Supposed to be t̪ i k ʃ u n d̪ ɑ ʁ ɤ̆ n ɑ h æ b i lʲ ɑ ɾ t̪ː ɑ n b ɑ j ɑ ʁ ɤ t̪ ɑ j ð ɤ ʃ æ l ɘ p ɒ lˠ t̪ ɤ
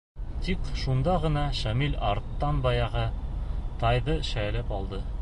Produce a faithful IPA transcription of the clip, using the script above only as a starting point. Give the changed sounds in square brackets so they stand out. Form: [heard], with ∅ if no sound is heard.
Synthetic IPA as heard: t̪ i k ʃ u n d̪ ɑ ʁ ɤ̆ n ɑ [ʃ] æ [m] i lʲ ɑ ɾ t̪ː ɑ n b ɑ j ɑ ʁ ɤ t̪ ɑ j ð ɤ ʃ æ l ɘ p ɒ lˠ [d̪] ɤ